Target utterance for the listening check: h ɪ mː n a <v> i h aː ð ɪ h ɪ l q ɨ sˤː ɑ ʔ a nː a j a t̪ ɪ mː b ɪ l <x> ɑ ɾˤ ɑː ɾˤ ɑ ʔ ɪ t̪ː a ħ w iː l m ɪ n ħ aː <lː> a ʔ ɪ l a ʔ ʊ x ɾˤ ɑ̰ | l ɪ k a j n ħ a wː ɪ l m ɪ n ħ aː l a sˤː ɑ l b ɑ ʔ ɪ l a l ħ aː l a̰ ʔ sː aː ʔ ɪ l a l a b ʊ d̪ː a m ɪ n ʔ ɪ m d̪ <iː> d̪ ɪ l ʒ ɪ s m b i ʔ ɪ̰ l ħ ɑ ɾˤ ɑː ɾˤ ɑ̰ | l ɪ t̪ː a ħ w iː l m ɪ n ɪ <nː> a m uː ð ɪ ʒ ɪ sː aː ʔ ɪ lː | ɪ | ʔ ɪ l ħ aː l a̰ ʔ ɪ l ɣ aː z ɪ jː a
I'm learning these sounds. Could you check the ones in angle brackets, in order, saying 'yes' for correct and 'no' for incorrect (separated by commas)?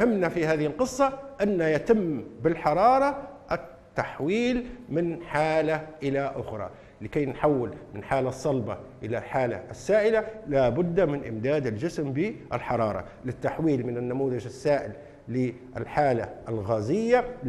no, no, no, no, yes